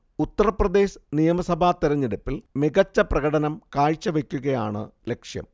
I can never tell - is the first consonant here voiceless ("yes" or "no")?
yes